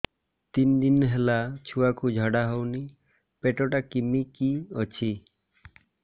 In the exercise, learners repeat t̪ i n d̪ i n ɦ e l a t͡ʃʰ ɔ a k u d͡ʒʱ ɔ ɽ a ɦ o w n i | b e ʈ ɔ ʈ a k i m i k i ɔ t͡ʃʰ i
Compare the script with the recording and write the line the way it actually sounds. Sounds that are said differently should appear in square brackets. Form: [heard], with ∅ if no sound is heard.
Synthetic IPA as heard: t̪ i n d̪ i n ɦ e l a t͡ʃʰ [u] a k u d͡ʒʱ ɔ ɽ a ɦ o w n i | [p] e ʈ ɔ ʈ a k i m i k i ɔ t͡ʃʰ i